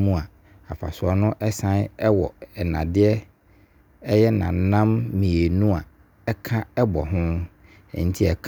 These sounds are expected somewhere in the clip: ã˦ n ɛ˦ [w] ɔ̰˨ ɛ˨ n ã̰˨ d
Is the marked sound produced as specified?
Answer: yes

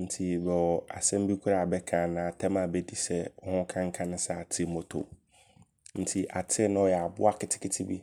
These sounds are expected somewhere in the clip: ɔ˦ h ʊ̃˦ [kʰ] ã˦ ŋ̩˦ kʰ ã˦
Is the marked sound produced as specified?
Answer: yes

